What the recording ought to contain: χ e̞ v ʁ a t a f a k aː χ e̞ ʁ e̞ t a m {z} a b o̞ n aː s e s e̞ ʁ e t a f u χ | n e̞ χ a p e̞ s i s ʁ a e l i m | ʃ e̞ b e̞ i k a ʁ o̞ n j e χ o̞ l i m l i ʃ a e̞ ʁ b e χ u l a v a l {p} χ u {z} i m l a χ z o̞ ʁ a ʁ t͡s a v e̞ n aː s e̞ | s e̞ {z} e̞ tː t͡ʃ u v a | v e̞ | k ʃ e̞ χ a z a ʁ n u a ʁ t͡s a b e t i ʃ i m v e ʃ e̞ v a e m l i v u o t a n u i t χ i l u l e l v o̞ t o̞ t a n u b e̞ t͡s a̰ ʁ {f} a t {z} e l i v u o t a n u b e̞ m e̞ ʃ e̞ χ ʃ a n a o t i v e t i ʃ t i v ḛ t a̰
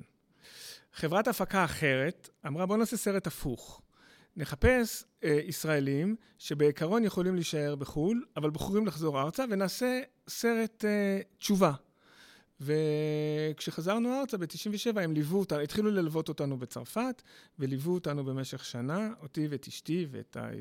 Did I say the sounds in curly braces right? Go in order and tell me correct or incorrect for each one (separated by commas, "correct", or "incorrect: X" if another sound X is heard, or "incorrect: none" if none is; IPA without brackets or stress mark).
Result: incorrect: ʁ, incorrect: b, incorrect: ʁ, incorrect: ʁ, correct, incorrect: v